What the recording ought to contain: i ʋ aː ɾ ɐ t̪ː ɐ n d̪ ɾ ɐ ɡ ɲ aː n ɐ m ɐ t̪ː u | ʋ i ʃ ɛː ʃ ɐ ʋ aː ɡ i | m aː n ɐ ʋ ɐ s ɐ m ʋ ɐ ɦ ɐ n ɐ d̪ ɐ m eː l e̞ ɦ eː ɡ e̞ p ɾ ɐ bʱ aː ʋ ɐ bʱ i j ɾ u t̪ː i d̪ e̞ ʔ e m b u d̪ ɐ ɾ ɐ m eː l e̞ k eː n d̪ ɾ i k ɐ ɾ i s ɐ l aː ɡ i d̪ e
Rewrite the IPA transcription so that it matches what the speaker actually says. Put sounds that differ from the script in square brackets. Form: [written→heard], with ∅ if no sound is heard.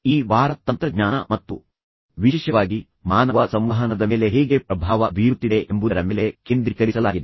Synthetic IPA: [i→iː] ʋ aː ɾ ɐ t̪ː ɐ n [d̪→t̪] ɾ ɐ ɡ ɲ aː n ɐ m ɐ t̪ː u | ʋ i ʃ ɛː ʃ ɐ ʋ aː ɡ i | m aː n ɐ ʋ ɐ s ɐ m ʋ ɐ ɦ ɐ n ɐ d̪ ɐ m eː l e̞ ɦ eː ɡ e̞ p ɾ ɐ bʱ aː ʋ ɐ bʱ i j ɾ u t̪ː i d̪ e̞ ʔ e m b u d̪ ɐ ɾ ɐ m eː l e̞ k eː n d̪ ɾ i k ɐ ɾ i s ɐ l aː ɡ i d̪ e

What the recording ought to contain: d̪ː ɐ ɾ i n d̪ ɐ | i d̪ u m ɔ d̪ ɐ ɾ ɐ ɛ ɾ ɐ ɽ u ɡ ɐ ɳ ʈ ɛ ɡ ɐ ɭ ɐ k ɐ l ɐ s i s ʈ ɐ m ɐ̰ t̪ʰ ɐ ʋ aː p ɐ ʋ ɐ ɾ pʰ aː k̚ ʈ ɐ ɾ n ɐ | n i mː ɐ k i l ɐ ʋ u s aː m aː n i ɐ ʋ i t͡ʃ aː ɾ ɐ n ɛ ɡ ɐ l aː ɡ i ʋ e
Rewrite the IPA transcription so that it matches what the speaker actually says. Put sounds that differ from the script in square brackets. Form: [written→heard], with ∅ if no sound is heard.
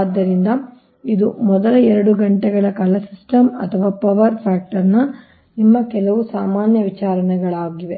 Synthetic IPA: d̪ː ɐ ɾ i n d̪ ɐ | i d̪ u m ɔ d̪ ɐ [ɾ→l] ɐ ɛ ɾ ɐ ɽ u ɡ ɐ ɳ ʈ ɛ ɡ ɐ ɭ ɐ k ɐ l ɐ s i s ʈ ɐ m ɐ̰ t̪ʰ ɐ ʋ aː p ɐ ʋ ɐ ɾ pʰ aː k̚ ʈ ɐ ɾ n ɐ | n i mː ɐ k [i→ɛ] l ɐ ʋ u s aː m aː n [i→j] ɐ ʋ i t͡ʃ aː ɾ ɐ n ɛ ɡ ɐ [l→ɭ] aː ɡ i ʋ e

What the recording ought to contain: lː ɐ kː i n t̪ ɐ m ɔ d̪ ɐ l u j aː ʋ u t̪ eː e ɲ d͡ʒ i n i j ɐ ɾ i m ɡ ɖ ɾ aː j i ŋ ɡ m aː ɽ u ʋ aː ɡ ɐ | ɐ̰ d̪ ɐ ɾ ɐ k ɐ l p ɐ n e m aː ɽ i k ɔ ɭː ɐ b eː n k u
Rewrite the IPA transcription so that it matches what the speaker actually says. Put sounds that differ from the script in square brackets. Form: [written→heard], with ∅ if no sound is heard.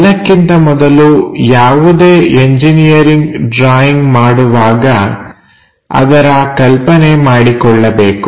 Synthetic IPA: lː ɐ kː i n t̪ ɐ m ɔ d̪ ɐ l u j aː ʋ u [t̪→d̪] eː e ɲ d͡ʒ i n i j ɐ ɾ i [m→ŋ] ɡ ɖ ɾ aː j i ŋ ɡ m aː ɽ u ʋ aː ɡ ɐ | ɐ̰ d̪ ɐ ɾ ɐ k ɐ l p ɐ n e m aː ɽ i k ɔ ɭː ɐ b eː [n→∅] k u

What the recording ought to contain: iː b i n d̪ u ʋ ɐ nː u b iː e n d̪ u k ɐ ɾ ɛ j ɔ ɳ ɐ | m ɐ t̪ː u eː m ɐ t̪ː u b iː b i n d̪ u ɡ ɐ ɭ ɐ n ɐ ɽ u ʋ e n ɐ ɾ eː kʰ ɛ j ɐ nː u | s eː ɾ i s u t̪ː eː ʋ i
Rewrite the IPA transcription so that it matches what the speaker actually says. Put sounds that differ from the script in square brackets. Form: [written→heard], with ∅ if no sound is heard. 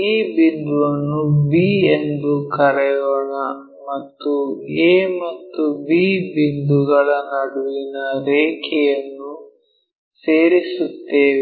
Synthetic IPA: iː b i n d̪ u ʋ ɐ nː u b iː e n d̪ u k ɐ ɾ ɛ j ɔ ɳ ɐ | m ɐ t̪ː u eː m ɐ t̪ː u b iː b i n d̪ u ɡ ɐ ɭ ɐ n ɐ ɽ u ʋ [e→i] n ɐ ɾ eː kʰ ɛ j ɐ nː u | s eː ɾ i s u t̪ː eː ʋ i

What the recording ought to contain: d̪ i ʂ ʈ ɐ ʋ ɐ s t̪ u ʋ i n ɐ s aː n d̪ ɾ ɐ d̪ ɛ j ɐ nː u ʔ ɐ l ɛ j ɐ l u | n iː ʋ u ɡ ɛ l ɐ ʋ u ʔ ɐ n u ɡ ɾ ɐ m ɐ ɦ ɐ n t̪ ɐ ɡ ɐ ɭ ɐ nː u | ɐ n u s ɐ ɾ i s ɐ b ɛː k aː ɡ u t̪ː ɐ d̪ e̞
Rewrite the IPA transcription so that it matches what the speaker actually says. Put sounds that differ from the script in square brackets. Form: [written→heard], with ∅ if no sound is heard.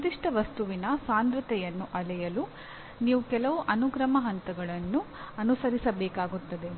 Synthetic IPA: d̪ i ʂ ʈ ɐ ʋ ɐ s t̪ u ʋ i n ɐ s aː n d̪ ɾ ɐ [d̪→t̪] ɛ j ɐ nː u ʔ ɐ l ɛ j ɐ l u | n iː ʋ u [ɡ→k] ɛ l ɐ ʋ u ʔ ɐ n u ɡ ɾ ɐ m ɐ ɦ ɐ n t̪ ɐ ɡ ɐ ɭ ɐ nː u | ɐ n u s ɐ ɾ i s ɐ b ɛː k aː ɡ u t̪ː ɐ d̪ e̞

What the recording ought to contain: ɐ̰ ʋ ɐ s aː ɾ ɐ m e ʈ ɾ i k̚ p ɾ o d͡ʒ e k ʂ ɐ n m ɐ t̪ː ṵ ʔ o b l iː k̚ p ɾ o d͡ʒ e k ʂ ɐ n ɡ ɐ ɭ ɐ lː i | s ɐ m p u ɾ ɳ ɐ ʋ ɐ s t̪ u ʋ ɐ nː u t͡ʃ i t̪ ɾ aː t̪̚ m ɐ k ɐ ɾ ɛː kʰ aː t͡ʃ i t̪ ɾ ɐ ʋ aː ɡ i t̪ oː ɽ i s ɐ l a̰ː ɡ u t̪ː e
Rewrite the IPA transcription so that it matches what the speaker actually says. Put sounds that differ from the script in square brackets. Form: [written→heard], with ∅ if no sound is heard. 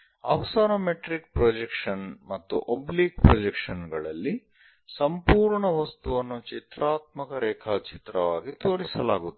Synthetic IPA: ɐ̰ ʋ ɐ s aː ɾ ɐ m e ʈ ɾ i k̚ p ɾ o d͡ʒ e k ʂ ɐ n m ɐ t̪ː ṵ ʔ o b l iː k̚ p ɾ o d͡ʒ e k ʂ ɐ n ɡ ɐ ɭ ɐ lː i | s ɐ m p [u→uː] ɾ ɳ ɐ ʋ ɐ s t̪ u ʋ ɐ nː u t͡ʃ i t̪ ɾ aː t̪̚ m ɐ k ɐ ɾ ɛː kʰ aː t͡ʃ i t̪ ɾ ɐ ʋ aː ɡ i t̪ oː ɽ i s ɐ l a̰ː ɡ u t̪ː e

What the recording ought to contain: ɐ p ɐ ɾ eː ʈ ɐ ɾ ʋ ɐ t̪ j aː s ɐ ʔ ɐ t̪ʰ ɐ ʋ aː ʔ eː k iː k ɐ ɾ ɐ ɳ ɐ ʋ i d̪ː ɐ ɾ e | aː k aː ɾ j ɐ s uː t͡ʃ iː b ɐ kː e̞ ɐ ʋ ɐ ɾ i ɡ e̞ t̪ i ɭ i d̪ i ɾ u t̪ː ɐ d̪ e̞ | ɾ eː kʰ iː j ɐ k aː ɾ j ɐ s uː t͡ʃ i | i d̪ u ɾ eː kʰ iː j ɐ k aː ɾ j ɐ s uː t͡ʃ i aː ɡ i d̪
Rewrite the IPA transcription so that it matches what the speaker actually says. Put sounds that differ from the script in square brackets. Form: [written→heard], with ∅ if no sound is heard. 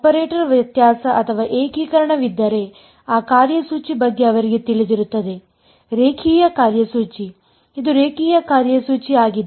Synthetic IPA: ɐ p ɐ ɾ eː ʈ ɐ ɾ ʋ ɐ t̪ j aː s ɐ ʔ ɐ t̪ʰ ɐ ʋ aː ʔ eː k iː k ɐ ɾ ɐ ɳ ɐ ʋ i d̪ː ɐ ɾ e | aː k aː ɾ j ɐ s uː t͡ʃ [iː→i] b ɐ [kː→ɡː] e̞ ɐ ʋ ɐ ɾ i ɡ e̞ t̪ i ɭ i d̪ i ɾ u t̪ː ɐ d̪ e̞ | ɾ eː kʰ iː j ɐ k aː ɾ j ɐ s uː t͡ʃ i | i d̪ u ɾ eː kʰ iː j ɐ k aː ɾ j ɐ s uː t͡ʃ i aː ɡ i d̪

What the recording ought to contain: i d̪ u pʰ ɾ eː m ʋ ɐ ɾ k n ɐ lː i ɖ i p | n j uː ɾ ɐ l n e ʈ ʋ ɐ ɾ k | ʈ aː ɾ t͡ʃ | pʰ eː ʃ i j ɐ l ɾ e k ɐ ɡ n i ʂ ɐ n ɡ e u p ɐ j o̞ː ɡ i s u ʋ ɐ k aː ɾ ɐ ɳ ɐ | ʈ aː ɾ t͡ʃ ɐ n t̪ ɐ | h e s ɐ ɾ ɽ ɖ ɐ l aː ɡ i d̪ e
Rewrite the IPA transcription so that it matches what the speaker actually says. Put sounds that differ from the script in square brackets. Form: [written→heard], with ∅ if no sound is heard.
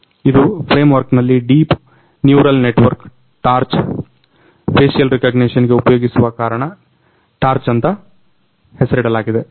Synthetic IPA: i d̪ u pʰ ɾ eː m ʋ ɐ ɾ k n ɐ lː i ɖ [i→iː] p | n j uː ɾ ɐ l n e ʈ ʋ ɐ ɾ k | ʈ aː ɾ t͡ʃ | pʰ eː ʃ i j ɐ l ɾ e k ɐ ɡ n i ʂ ɐ n ɡ e u p ɐ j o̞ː ɡ i s u ʋ ɐ k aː ɾ ɐ ɳ ɐ | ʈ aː ɾ t͡ʃ ɐ n t̪ ɐ | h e s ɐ ɾ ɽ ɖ ɐ l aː ɡ i d̪ e

